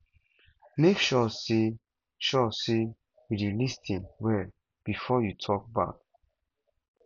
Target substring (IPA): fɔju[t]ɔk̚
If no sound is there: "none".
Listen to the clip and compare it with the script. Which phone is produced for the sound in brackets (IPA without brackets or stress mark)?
tʰ